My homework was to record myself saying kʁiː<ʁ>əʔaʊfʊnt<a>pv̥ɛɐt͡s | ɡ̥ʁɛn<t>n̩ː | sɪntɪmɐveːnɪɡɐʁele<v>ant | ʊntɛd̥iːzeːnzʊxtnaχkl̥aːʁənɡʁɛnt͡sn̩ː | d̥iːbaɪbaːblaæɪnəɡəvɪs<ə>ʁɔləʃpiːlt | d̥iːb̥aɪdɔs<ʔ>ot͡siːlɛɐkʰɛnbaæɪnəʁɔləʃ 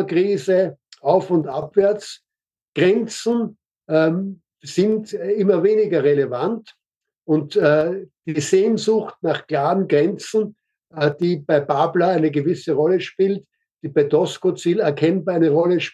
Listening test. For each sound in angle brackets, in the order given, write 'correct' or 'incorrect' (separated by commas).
incorrect, correct, incorrect, correct, correct, incorrect